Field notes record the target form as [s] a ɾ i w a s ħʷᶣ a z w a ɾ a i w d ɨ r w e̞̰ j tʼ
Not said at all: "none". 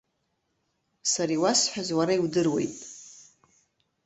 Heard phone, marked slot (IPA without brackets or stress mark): s